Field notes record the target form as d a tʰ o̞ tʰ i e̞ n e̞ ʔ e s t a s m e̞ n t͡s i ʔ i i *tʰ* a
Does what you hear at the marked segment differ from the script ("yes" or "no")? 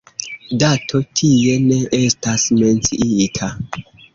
no